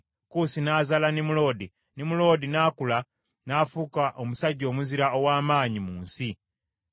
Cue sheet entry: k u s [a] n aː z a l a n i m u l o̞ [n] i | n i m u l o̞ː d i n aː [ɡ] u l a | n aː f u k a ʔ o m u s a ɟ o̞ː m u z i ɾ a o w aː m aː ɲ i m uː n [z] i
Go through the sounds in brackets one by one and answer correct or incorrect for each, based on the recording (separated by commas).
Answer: incorrect, incorrect, incorrect, incorrect